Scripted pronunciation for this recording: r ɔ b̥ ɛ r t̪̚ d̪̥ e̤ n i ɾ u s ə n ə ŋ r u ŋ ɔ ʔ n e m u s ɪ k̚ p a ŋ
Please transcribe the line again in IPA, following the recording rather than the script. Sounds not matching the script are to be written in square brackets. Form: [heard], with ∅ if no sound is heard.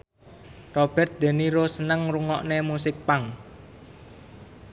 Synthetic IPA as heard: r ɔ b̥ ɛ r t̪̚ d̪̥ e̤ n i ɾ [o] s ə n ə ŋ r u ŋ ɔ ʔ n e m u s ɪ k̚ p a ŋ